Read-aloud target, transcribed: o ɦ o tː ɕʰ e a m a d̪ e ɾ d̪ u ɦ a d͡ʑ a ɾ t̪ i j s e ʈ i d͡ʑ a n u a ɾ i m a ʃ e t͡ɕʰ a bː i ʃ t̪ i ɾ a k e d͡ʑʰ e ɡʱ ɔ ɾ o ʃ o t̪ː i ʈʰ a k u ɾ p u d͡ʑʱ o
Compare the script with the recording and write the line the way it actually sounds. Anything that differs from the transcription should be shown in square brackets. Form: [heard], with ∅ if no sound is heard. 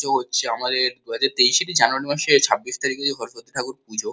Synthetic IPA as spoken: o ɦ o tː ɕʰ e a m a d̪ e ɾ d̪ u ɦ a d͡ʑ a ɾ t̪ [e] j [ʃ] e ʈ i d͡ʑ a n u a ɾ i m a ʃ e t͡ɕʰ a bː i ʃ t̪ [a] ɾ [i] k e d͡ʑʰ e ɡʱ ɔ ɾ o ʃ o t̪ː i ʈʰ a k u ɾ p u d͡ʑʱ o